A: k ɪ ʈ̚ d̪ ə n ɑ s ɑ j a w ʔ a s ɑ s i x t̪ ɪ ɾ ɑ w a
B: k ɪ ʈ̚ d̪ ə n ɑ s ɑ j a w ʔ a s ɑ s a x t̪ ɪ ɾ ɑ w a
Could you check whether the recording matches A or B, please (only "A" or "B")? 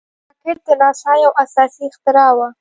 A